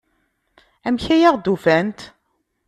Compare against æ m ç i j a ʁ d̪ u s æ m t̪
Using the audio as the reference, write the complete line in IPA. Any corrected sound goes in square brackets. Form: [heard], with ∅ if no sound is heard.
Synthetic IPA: æ m ç [æ] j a ʁ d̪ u [f] æ [n] t̪